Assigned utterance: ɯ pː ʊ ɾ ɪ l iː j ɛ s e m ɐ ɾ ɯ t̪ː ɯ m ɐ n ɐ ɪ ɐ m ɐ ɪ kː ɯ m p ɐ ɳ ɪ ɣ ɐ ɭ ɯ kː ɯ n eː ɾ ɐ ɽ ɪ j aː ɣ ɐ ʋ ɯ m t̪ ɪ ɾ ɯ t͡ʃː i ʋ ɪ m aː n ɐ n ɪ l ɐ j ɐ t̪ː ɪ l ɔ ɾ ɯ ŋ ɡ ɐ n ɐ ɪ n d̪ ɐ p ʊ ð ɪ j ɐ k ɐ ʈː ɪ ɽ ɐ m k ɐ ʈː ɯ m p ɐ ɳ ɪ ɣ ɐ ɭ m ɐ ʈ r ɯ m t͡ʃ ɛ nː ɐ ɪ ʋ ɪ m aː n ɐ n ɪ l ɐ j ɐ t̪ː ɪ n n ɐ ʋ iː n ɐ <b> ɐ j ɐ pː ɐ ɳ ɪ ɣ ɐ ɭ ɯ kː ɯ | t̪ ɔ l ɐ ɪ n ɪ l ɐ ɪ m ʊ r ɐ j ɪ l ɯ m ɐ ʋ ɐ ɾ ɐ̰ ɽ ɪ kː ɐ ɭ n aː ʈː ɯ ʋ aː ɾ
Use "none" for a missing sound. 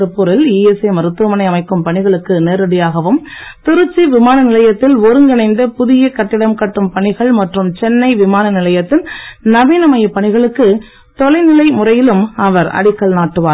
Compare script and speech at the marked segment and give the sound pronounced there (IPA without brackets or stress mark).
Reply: m